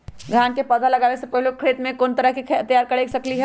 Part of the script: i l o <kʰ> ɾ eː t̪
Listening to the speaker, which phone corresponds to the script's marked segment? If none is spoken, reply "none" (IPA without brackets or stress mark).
kʰ